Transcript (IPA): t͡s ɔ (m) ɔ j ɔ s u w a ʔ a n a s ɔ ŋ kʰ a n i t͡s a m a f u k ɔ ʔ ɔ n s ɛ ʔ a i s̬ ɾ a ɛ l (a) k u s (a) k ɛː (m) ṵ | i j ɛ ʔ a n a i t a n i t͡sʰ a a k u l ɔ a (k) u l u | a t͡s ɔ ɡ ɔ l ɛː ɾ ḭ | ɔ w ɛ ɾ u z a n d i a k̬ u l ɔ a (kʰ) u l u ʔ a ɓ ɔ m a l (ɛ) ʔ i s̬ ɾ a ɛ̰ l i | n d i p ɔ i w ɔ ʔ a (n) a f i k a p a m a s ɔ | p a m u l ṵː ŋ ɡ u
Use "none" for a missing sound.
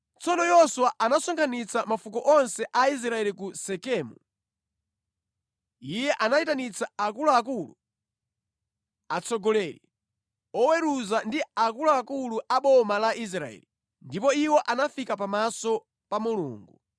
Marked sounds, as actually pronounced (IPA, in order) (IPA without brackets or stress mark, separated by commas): n, i, ɛ, m, k, k, a, n